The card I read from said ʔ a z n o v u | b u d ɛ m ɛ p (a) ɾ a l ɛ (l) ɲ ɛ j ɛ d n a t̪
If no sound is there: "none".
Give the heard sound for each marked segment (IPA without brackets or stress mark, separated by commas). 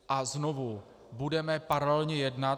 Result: a, l